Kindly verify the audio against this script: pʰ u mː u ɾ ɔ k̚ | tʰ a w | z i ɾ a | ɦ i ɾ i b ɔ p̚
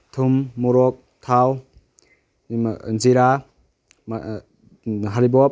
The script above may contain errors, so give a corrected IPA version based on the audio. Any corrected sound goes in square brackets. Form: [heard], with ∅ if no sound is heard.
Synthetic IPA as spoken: [tʰ] u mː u ɾ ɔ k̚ | tʰ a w | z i ɾ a | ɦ [a] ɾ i b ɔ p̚